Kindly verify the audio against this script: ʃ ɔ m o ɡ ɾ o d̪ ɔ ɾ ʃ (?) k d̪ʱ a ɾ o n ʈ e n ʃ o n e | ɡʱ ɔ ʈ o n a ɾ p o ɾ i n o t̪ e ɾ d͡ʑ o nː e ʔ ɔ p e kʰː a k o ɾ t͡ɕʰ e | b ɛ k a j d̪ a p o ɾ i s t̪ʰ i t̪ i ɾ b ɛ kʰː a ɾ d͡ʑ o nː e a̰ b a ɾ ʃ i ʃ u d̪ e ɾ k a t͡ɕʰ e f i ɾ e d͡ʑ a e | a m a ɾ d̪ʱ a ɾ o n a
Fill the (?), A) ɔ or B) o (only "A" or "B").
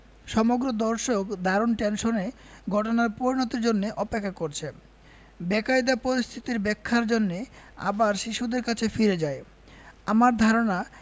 B